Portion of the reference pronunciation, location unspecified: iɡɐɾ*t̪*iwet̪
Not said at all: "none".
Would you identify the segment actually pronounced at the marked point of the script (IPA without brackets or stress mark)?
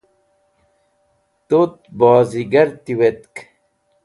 t̪